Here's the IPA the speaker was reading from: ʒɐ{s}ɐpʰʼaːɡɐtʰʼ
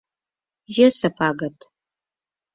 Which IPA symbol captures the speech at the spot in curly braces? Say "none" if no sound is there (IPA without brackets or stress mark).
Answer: s